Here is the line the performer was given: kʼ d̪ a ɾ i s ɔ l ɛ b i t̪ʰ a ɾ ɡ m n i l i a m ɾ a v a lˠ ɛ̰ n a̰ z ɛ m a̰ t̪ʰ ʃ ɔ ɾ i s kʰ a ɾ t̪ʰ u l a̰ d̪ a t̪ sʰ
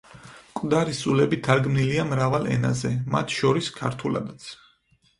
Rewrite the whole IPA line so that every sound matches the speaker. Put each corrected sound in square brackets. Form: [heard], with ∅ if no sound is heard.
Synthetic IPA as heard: kʼ d̪ a ɾ i s [u] l ɛ b i t̪ʰ a ɾ ɡ m n i l i a m ɾ a v a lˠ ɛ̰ n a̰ z ɛ m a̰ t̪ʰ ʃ ɔ ɾ i s kʰ a ɾ t̪ʰ u l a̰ d̪ a t̪ sʰ